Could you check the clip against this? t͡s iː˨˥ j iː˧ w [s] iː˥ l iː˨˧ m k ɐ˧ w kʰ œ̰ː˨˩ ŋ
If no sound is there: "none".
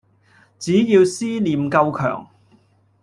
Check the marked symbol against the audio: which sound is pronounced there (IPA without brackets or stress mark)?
s